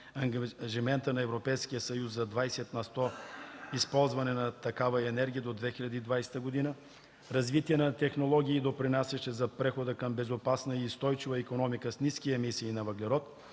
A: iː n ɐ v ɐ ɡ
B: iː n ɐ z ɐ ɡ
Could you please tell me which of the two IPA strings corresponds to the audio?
A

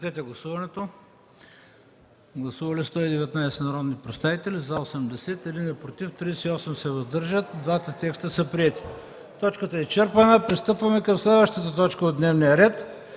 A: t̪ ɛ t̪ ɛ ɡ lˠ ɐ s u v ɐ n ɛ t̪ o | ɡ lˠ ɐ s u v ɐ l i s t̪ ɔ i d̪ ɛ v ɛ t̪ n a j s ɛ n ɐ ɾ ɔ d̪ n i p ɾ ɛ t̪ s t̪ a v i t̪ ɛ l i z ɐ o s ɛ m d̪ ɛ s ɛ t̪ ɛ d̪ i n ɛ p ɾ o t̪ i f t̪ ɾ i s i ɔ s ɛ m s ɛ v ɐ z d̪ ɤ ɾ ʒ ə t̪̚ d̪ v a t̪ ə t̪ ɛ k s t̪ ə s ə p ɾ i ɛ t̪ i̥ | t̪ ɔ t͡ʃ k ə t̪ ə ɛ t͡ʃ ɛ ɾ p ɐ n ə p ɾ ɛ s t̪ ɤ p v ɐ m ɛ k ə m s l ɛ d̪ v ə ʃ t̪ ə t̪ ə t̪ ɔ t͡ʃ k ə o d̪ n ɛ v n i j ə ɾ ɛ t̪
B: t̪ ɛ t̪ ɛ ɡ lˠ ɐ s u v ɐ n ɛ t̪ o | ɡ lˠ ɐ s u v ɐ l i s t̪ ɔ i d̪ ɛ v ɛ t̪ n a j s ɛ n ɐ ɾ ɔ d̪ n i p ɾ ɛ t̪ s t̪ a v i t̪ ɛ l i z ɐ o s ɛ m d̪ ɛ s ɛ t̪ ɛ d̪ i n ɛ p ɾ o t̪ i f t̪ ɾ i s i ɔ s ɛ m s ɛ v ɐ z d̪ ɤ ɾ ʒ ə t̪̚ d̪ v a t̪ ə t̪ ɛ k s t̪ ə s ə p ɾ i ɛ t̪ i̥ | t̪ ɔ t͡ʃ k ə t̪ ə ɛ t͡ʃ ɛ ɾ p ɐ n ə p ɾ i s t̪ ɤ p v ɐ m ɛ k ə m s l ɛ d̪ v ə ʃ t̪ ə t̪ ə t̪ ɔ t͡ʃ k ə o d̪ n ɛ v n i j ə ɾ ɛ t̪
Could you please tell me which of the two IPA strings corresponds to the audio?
B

